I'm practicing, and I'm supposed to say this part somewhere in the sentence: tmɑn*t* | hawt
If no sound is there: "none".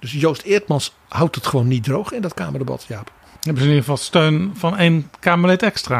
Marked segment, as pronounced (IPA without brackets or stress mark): s